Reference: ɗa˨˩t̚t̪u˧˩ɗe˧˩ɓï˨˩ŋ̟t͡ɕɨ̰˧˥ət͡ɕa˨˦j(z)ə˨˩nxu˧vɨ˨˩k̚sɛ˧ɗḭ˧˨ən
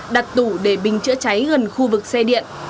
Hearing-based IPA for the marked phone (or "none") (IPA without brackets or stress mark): ɣ